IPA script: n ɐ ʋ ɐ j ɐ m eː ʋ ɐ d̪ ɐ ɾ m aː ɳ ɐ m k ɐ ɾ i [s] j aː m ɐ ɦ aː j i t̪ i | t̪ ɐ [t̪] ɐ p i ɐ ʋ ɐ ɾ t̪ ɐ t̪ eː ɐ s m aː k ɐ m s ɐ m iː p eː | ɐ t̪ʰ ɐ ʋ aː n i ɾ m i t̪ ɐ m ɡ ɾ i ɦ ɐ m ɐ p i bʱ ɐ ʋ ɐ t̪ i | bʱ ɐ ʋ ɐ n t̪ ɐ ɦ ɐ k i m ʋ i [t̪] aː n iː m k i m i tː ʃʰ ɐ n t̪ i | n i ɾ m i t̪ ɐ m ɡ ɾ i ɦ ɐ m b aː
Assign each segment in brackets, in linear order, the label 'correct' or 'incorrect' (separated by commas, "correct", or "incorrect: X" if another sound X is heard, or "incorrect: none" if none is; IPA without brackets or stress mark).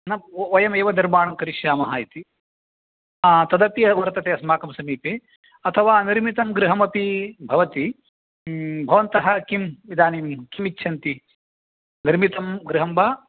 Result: incorrect: ʃ, incorrect: d̪, incorrect: d̪